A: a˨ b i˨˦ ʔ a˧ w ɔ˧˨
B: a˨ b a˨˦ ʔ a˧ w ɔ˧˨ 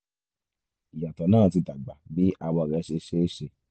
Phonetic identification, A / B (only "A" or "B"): A